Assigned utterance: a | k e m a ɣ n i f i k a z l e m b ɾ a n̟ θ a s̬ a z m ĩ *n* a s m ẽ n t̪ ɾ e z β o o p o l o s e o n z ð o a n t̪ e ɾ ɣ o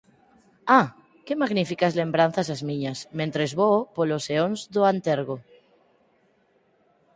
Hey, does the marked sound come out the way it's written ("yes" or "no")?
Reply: no